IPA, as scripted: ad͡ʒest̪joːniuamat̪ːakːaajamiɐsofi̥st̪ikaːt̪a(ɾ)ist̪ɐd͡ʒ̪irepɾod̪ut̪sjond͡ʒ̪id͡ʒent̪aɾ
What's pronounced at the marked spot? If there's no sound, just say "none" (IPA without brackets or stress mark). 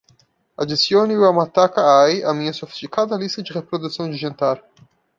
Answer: l